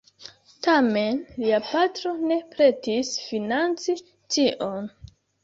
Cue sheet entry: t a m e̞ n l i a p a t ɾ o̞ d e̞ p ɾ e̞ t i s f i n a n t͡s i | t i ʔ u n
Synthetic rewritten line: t a m e̞ n l i a p a t ɾ o̞ n e̞ p ɾ e̞ t i s f i n a n t͡s i | t i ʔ o n